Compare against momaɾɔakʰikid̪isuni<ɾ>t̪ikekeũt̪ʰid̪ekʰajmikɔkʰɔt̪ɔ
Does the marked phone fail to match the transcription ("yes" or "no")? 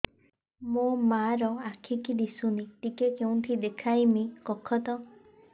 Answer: yes